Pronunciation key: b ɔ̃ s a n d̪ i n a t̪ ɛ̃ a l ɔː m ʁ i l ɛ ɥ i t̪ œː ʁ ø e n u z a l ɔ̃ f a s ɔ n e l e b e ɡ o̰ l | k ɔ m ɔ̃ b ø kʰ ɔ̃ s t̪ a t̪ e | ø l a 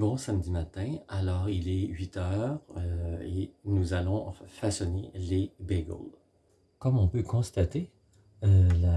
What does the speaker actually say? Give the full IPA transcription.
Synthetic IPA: b ɔ̃ s a m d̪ i m a t̪ ɛ̃ a l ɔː ʁ i l ɛ ɥ i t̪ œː ʁ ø e n u z a l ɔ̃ f a s ɔ n e l e b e ɡ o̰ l | k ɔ m ɔ̃ p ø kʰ ɔ̃ s t̪ a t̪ e | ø l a